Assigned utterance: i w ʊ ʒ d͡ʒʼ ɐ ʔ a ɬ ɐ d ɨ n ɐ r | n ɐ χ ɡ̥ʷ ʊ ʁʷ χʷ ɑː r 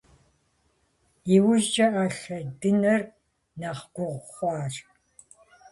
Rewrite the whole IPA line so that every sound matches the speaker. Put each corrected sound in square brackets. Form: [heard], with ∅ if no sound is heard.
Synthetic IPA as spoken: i w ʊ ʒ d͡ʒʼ ɐ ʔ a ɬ ɐ d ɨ n ɐ r | n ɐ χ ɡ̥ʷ ʊ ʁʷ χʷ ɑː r